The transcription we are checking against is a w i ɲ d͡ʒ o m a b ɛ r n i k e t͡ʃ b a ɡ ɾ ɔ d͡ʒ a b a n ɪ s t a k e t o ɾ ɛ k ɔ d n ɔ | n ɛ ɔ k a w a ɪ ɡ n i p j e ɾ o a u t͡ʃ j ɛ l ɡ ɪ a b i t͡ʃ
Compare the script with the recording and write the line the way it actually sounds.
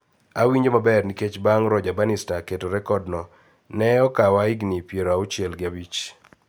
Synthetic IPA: a w i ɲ d͡ʒ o m a b ɛ r n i k e t͡ʃ b a ŋ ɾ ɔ d͡ʒ a b a n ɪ s t a k e t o ɾ ɛ k ɔ d n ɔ | n ɛ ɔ k a w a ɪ ɡ n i p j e ɾ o a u t͡ʃ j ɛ l ɡ ɪ a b i t͡ʃ